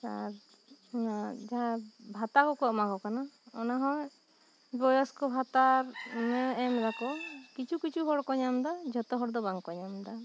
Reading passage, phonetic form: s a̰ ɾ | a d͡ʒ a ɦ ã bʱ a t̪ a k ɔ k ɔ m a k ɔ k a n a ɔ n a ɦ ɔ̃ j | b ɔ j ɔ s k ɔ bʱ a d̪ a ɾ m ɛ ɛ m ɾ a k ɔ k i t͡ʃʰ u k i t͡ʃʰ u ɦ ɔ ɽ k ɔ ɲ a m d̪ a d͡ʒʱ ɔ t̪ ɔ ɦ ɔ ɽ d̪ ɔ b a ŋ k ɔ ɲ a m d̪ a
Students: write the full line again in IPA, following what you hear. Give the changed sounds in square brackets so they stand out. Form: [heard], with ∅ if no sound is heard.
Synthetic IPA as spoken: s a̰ ɾ | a d͡ʒ a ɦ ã bʱ a t̪ a k ɔ k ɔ m a k ɔ k a n a ɔ n a ɦ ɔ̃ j | b ɔ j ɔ s k ɔ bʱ a [t̪] a ɾ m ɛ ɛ m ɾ a k ɔ k i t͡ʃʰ u k i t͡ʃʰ u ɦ ɔ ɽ k ɔ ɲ a m d̪ a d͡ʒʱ ɔ t̪ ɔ ɦ ɔ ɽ d̪ ɔ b a ŋ k ɔ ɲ a m d̪ a